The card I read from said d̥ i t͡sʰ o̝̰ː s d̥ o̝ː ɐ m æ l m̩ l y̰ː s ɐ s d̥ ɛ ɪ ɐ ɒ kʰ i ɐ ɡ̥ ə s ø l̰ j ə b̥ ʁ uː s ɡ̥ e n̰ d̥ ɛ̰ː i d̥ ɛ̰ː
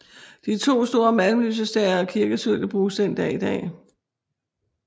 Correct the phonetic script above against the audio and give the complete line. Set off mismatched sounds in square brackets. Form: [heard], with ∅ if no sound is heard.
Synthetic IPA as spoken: d̥ i t͡sʰ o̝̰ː s d̥ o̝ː ɐ m æ l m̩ l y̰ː s [ə] s d̥ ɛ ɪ ɐ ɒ kʰ i ɐ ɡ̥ ə s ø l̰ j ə b̥ ʁ uː s [d̥] e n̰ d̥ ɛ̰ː i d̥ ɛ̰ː